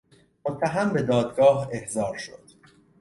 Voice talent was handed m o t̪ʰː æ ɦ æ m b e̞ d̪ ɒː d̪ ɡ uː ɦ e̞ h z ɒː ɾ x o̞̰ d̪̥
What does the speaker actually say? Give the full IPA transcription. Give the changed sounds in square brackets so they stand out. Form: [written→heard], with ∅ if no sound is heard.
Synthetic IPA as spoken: m o t̪ʰː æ ɦ æ m b e̞ d̪ ɒː d̪ ɡ [uː→ɒː] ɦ e̞ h z ɒː ɾ [x→ʃ] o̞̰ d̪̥